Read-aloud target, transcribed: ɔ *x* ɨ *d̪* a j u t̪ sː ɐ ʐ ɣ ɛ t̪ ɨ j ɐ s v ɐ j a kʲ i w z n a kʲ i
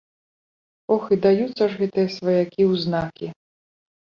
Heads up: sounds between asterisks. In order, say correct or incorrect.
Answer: correct, correct

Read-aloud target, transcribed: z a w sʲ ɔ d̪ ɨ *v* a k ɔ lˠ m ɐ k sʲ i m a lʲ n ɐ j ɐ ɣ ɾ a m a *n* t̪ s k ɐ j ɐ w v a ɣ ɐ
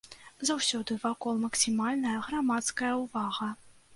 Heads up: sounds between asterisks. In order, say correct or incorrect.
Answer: correct, incorrect

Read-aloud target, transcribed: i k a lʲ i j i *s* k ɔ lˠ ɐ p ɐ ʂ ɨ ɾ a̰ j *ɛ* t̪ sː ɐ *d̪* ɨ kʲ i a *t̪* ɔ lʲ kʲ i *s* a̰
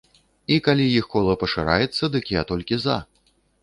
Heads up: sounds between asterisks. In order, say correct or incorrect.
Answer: incorrect, correct, correct, correct, incorrect

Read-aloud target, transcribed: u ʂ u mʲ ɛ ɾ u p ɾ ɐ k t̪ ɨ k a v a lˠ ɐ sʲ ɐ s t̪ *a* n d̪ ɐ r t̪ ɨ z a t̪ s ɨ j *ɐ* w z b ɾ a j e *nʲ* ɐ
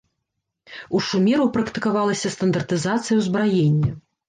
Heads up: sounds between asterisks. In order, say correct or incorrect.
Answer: incorrect, correct, incorrect

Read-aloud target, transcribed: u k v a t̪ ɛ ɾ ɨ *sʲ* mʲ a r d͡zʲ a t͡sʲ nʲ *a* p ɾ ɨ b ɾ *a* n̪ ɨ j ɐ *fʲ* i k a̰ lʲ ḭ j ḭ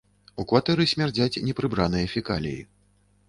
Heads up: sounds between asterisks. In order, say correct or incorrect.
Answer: correct, incorrect, correct, correct

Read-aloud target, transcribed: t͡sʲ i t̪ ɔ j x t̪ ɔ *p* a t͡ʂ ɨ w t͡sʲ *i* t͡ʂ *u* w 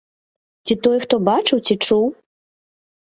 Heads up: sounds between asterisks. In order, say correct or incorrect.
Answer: incorrect, correct, correct

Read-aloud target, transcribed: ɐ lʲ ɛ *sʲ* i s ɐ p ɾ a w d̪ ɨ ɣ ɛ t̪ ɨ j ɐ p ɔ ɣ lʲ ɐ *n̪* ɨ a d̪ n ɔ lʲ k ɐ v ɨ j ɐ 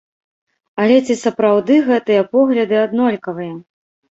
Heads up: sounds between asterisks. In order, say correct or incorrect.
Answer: incorrect, incorrect

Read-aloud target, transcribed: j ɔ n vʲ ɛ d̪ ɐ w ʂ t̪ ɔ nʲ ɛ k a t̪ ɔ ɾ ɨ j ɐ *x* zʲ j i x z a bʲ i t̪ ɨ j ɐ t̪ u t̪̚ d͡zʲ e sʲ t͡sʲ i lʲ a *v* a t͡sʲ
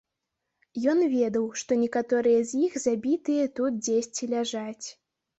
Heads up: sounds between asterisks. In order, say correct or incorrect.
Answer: incorrect, incorrect

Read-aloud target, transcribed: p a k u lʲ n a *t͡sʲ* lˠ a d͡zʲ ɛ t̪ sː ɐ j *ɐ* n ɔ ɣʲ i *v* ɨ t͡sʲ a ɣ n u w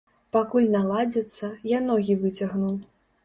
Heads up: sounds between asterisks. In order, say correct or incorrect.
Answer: incorrect, incorrect, correct

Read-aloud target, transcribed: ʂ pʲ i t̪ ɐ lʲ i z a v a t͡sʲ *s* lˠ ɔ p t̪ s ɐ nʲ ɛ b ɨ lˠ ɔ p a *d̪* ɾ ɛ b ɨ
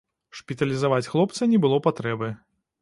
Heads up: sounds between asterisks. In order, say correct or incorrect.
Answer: incorrect, incorrect

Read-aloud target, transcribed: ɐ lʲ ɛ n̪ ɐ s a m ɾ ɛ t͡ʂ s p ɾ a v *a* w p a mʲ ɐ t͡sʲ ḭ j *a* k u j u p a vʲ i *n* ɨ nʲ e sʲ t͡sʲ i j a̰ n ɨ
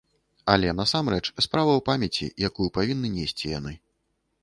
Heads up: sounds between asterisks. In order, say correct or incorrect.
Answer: incorrect, correct, incorrect

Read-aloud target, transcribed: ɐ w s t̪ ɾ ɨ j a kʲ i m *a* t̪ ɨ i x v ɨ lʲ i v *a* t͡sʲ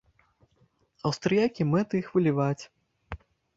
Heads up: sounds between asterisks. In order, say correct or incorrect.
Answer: incorrect, correct

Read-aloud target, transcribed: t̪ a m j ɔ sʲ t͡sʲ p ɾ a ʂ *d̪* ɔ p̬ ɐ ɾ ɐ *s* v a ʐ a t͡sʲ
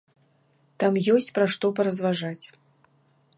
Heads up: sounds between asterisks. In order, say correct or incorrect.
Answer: incorrect, incorrect

